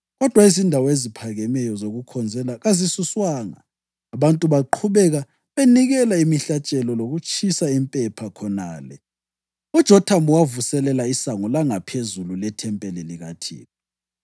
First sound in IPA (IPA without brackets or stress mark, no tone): ɣ